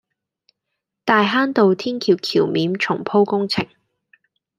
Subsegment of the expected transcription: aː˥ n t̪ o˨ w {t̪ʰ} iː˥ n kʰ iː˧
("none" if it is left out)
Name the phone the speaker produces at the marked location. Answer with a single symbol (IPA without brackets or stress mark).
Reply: t̪ʰ